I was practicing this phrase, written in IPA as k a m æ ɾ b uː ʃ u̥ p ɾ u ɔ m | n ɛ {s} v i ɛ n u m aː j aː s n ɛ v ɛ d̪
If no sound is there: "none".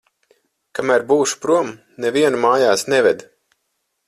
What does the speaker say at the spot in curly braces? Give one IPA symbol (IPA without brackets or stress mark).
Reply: none